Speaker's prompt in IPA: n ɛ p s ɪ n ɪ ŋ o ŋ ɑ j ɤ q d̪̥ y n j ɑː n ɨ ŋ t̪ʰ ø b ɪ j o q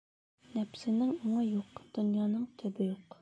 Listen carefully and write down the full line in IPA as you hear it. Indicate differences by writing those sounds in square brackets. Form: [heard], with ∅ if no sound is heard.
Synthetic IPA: n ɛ p s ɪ n ɪ ŋ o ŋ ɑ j [o] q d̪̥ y n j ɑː n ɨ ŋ t̪ʰ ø b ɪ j o q